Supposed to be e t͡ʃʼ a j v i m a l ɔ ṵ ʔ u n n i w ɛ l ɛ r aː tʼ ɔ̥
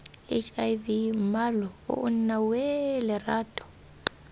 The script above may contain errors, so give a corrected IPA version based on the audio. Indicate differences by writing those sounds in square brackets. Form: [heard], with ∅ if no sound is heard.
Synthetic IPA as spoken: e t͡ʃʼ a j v i m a l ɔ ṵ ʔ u n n [a] w ɛ l ɛ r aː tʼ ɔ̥